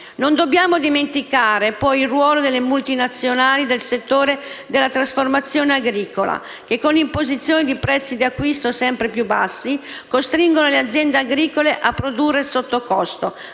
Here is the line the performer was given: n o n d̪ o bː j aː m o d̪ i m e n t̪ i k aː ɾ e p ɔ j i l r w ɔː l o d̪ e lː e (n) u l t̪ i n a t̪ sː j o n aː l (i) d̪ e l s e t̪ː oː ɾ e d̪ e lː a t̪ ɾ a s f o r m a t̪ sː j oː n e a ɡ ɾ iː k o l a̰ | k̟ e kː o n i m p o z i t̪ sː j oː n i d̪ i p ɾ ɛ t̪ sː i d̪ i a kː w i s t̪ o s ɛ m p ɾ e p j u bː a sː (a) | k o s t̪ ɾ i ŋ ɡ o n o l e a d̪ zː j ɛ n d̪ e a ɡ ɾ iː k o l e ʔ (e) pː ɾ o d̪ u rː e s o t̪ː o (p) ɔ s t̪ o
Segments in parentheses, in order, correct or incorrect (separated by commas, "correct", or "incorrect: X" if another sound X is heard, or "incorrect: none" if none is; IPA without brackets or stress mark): incorrect: m, correct, incorrect: i, incorrect: a, incorrect: k